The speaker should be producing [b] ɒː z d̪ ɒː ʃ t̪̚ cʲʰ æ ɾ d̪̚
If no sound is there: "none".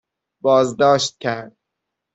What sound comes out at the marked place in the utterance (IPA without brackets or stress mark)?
b